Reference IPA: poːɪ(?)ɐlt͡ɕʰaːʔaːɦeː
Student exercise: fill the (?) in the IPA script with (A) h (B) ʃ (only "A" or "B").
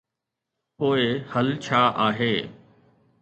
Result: A